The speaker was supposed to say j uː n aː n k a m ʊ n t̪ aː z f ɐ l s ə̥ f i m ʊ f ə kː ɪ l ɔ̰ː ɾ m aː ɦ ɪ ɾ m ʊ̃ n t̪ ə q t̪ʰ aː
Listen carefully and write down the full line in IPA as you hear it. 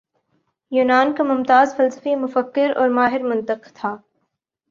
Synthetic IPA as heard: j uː n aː n k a m ʊ m t̪ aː z f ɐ l s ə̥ f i m ʊ f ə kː ɪ ɾ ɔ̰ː ɾ m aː ɦ ɪ ɾ m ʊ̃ n t̪ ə q t̪ʰ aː